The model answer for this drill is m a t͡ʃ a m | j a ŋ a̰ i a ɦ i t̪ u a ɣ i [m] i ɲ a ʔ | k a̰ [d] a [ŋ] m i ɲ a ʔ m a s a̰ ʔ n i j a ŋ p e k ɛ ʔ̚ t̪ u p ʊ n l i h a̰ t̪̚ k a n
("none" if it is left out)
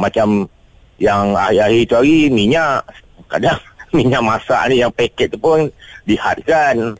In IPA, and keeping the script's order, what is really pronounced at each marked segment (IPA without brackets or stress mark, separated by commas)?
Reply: m, d, ŋ